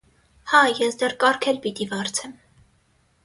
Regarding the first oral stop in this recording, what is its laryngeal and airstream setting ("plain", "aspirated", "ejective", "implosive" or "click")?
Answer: plain